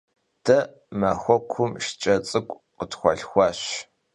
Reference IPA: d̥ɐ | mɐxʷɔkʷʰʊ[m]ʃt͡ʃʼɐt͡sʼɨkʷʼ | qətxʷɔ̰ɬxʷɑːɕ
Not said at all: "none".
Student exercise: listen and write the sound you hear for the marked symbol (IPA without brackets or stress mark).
m